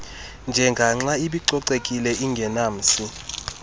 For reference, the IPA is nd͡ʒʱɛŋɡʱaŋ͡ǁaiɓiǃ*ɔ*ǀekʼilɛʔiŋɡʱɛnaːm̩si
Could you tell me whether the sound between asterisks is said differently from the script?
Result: no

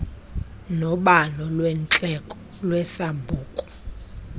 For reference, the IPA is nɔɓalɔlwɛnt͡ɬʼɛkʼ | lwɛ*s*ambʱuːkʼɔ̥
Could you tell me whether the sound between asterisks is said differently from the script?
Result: no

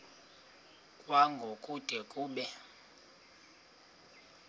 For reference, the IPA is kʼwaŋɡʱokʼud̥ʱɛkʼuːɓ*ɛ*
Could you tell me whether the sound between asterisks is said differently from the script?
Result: no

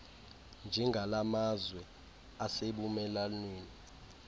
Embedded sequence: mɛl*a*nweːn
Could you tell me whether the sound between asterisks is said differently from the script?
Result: no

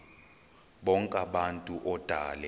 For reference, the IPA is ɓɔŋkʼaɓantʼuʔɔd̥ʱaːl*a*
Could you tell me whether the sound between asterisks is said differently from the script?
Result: yes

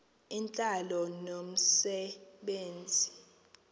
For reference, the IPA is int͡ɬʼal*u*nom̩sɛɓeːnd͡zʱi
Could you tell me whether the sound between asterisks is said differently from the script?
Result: yes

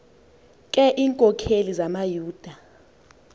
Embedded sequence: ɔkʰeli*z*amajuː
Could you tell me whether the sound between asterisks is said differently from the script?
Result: no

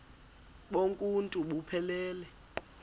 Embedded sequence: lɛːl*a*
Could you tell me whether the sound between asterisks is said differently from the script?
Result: yes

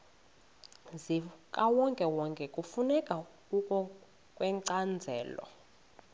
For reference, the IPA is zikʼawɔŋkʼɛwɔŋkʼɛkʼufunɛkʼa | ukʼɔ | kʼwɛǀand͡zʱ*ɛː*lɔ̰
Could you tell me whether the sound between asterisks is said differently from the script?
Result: no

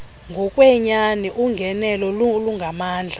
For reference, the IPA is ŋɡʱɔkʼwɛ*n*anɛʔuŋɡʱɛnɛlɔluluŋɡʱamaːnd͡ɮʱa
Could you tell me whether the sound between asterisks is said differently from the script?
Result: yes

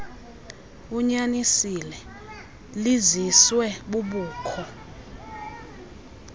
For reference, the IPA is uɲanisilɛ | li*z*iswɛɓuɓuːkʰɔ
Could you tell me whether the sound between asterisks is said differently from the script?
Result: no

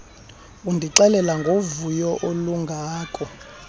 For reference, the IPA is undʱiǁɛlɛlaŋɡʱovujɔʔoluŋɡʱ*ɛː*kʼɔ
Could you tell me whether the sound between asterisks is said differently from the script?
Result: yes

